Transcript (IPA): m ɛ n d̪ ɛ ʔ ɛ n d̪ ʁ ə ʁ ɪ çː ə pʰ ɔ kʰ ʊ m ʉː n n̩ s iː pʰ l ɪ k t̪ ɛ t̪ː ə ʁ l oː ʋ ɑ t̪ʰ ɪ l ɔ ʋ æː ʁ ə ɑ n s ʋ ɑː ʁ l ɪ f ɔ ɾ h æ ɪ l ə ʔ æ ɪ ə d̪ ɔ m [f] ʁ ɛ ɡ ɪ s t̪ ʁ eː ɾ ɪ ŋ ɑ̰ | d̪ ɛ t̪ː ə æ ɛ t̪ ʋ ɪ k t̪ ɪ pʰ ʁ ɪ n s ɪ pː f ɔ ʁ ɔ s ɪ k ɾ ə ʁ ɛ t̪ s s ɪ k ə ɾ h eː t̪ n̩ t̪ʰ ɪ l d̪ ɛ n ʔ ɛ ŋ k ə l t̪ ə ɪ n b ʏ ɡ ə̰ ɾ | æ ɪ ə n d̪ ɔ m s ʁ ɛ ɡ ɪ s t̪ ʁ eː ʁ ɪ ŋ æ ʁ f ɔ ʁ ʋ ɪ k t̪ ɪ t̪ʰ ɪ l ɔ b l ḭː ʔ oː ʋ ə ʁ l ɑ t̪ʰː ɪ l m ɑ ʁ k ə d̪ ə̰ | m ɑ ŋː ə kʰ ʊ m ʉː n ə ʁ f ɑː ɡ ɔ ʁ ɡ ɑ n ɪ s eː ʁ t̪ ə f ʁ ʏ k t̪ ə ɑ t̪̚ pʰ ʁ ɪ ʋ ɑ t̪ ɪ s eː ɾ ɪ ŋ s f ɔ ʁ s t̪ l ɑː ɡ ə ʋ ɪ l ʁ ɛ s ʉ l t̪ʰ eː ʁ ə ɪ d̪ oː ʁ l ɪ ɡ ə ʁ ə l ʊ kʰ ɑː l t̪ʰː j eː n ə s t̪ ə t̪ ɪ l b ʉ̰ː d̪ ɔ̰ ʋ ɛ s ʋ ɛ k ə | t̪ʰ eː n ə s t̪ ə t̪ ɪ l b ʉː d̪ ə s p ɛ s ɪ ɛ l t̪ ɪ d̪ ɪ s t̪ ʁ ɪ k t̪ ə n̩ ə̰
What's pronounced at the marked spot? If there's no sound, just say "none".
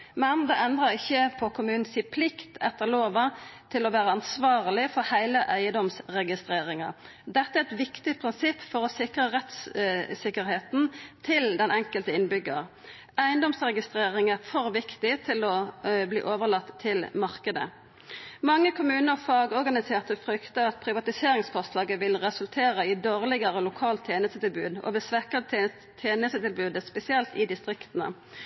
s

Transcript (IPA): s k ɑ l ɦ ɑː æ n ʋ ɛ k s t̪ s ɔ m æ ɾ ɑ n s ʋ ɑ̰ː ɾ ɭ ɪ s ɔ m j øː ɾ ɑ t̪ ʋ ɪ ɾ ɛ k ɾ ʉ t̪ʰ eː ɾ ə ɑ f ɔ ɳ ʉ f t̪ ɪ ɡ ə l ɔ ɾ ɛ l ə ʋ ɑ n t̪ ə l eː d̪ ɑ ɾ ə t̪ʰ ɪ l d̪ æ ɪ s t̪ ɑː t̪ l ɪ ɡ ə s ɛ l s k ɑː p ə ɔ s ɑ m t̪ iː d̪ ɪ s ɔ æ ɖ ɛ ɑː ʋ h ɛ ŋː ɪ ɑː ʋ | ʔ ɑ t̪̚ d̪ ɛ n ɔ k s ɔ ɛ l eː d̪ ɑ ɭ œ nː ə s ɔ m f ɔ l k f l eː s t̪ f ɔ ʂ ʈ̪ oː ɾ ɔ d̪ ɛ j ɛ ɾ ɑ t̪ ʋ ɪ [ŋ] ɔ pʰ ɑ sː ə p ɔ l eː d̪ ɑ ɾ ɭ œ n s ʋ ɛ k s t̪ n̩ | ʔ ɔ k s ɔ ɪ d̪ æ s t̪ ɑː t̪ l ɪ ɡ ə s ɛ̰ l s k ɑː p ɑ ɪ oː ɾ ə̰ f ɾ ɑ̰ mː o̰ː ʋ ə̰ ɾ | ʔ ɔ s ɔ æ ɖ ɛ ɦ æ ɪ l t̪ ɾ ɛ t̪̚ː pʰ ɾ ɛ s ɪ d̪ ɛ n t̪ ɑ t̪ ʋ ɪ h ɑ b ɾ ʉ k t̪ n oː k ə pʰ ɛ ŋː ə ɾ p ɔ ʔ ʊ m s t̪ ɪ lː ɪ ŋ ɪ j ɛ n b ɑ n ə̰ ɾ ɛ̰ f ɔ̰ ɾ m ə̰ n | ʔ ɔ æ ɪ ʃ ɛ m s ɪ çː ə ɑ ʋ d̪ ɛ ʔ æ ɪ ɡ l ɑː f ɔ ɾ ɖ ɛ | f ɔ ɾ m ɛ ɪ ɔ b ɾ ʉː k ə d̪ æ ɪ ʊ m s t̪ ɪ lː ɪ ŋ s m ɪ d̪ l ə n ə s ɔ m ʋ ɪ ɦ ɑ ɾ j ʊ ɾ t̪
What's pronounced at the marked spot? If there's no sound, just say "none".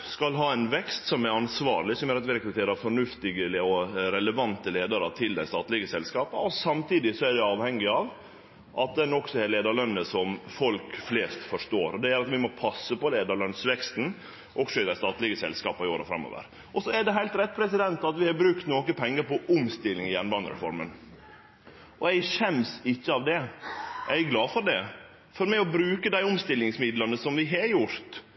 m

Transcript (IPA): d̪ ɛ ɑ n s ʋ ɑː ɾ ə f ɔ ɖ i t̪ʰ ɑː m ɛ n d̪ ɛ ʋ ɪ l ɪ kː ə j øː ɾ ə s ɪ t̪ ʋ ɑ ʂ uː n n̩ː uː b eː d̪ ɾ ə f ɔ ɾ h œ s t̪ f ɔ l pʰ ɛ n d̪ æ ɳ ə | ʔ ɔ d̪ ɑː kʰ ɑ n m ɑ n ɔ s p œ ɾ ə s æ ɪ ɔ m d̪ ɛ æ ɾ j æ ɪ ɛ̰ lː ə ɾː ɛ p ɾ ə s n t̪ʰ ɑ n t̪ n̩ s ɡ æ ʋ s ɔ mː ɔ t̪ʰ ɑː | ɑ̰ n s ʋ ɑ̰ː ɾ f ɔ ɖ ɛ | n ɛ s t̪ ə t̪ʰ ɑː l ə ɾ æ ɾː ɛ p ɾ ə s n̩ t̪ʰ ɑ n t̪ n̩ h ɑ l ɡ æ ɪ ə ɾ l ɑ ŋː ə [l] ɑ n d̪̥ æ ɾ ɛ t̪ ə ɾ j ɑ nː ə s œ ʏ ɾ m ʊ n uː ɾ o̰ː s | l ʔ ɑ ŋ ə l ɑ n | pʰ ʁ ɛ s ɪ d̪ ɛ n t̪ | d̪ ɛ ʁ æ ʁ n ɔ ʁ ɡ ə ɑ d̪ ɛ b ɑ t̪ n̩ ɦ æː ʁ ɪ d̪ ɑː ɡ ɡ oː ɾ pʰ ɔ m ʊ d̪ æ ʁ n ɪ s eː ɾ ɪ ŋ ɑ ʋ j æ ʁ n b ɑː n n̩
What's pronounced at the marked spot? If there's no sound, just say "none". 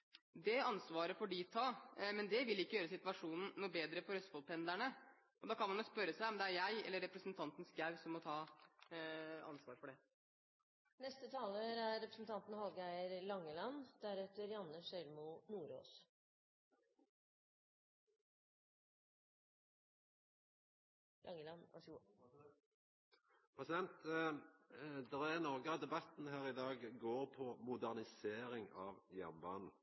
l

